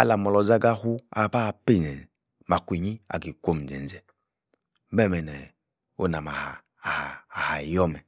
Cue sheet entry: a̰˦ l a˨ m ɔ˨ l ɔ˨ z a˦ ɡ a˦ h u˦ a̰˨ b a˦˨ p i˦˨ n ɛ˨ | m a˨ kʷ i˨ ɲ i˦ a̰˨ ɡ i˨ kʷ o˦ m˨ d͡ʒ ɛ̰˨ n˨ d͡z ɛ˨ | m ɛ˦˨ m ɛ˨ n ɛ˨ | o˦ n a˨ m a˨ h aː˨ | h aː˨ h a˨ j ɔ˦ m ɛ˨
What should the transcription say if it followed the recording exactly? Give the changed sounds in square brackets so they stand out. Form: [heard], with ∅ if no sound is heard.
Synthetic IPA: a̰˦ l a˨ m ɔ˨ l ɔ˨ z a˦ ɡ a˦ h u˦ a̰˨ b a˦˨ p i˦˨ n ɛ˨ | m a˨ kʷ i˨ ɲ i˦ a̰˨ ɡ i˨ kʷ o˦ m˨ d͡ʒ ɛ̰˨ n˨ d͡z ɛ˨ | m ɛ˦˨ m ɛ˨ n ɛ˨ | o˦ n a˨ m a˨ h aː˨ | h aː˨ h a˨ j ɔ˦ m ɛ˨